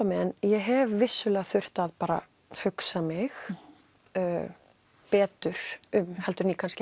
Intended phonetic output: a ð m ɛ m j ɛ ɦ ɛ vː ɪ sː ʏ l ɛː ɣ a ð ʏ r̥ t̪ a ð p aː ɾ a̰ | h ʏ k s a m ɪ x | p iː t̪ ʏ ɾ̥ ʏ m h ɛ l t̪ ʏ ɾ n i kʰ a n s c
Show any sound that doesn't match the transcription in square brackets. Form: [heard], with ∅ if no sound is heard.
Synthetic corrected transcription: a [∅] m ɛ [n] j ɛ ɦ ɛ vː ɪ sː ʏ l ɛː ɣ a [θ] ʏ r̥ t̪ a ð p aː ɾ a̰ | h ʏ k s a m ɪ x | p [ɛː] t̪ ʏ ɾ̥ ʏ m h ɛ l t̪ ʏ ɾ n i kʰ a n s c